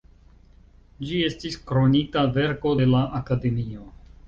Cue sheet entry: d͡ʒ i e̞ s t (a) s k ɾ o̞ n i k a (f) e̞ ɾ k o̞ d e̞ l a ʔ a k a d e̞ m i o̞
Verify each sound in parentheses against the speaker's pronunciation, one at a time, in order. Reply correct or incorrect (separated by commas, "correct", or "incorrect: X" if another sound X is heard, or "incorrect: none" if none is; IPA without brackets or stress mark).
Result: incorrect: i, incorrect: v